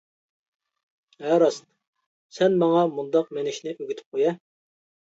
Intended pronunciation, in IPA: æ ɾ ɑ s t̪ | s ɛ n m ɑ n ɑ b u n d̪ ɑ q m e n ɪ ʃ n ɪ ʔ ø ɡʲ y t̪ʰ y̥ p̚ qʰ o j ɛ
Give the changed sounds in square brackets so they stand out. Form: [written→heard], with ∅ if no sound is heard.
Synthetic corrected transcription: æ ɾ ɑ s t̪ | s ɛ n m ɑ [n→ŋ] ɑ [b→m] u n d̪ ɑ q m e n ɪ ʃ n ɪ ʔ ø ɡʲ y t̪ʰ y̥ p̚ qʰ o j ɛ